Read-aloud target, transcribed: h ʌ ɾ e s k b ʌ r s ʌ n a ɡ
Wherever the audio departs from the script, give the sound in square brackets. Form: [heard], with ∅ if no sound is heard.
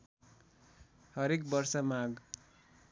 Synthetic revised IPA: h ʌ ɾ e [∅] k b ʌ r s ʌ [m] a ɡ